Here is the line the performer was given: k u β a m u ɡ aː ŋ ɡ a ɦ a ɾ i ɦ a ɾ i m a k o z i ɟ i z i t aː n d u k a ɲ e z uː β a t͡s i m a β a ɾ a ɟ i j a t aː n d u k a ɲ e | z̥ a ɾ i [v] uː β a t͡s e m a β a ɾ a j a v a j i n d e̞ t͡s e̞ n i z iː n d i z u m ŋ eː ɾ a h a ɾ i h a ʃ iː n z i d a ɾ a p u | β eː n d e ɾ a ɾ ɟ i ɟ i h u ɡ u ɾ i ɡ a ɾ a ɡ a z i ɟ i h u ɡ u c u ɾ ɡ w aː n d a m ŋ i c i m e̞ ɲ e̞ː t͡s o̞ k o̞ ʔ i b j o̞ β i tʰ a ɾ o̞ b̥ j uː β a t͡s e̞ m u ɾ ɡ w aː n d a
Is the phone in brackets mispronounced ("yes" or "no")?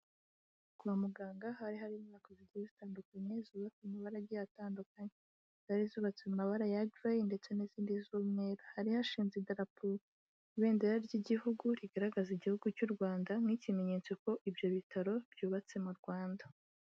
yes